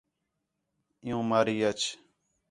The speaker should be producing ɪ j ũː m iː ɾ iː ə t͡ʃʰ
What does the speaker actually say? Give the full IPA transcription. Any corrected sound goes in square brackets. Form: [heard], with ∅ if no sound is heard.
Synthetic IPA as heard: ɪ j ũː m [aː] ɾ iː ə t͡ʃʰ